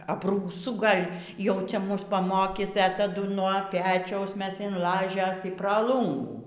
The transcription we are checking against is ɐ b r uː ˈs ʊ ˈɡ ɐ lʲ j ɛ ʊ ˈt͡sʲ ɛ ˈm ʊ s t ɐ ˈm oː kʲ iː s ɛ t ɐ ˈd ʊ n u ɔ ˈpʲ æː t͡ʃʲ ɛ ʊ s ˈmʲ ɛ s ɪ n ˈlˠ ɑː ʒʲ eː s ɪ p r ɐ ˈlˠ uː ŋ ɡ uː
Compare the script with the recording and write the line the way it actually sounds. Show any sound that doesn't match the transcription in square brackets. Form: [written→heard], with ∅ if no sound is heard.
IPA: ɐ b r uː ˈs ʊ ˈɡ ɐ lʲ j ɛ ʊ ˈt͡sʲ ɛ ˈm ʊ s [t→p] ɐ ˈm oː kʲ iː s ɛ t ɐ ˈd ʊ n u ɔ ˈpʲ æː t͡ʃʲ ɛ ʊ s ˈmʲ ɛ s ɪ n ˈlˠ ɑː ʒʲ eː s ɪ p r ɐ ˈlˠ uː ŋ ɡ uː

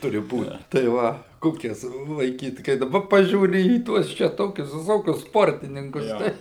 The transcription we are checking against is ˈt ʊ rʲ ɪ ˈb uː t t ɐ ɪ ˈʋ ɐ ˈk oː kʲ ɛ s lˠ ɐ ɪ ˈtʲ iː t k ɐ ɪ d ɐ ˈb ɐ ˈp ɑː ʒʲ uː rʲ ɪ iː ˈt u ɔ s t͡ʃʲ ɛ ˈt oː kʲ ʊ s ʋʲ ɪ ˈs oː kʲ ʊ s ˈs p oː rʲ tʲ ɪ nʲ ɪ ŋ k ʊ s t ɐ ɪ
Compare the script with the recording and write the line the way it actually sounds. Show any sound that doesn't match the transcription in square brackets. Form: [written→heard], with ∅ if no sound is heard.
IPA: ˈt ʊ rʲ ɪ ˈb uː t t ɐ ɪ ˈʋ ɐ ˈk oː kʲ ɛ s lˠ ɐ ɪ [ˈtʲ→ˈkʲ] iː t k ɐ ɪ d ɐ ˈb ɐ ˈp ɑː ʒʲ uː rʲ ɪ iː ˈt u ɔ s t͡ʃʲ ɛ ˈt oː kʲ ʊ s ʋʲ ɪ ˈs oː kʲ ʊ s ˈs p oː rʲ tʲ ɪ nʲ ɪ ŋ k ʊ s t ɐ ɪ

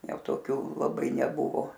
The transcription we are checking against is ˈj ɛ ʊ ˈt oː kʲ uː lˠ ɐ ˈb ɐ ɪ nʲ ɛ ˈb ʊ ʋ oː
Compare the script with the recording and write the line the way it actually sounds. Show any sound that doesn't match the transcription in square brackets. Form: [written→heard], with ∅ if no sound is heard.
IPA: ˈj ɛ ʊ ˈt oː kʲ uː lˠ ɐ ˈb ɐ ɪ nʲ ɛ ˈb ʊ ʋ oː

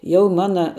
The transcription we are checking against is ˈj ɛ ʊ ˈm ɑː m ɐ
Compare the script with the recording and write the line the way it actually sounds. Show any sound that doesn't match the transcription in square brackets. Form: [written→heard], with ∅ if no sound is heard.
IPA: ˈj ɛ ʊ ˈm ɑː [m→n] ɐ

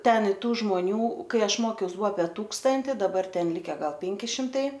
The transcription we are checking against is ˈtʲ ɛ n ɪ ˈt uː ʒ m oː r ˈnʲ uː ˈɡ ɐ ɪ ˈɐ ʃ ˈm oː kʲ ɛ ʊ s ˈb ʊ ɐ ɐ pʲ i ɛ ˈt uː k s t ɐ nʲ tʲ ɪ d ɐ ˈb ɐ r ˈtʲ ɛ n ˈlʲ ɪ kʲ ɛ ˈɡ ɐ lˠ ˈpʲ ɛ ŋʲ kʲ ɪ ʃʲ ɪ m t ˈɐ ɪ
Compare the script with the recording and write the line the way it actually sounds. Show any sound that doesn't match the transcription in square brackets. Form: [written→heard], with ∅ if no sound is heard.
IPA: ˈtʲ ɛ n ɪ ˈt uː ʒ m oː [r→∅] ˈnʲ uː [ˈɡ→ˈk] ɐ ɪ ˈɐ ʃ ˈm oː kʲ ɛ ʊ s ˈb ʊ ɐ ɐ pʲ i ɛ ˈt uː k s t ɐ nʲ tʲ ɪ d ɐ ˈb ɐ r ˈtʲ ɛ n ˈlʲ ɪ kʲ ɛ ˈɡ ɐ lˠ ˈpʲ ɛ ŋʲ kʲ ɪ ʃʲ ɪ m t ˈɐ ɪ

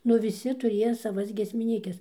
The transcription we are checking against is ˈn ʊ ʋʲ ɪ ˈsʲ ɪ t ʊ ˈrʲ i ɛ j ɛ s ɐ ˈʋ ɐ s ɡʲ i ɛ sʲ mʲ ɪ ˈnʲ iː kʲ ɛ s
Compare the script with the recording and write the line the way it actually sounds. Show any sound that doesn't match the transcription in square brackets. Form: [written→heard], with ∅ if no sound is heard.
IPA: ˈn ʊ ʋʲ ɪ ˈsʲ ɪ t ʊ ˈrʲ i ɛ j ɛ s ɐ ˈʋ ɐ s ɡʲ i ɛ sʲ mʲ ɪ ˈnʲ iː kʲ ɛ s

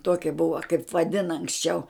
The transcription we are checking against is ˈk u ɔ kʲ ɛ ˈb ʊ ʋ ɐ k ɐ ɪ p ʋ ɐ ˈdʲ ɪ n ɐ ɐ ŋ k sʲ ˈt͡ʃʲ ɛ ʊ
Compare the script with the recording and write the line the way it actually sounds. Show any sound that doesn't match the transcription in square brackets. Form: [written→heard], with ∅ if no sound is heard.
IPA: [ˈk→ˈt] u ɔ kʲ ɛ ˈb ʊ ʋ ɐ k ɐ ɪ p ʋ ɐ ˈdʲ ɪ n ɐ ɐ ŋ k sʲ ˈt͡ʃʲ ɛ ʊ

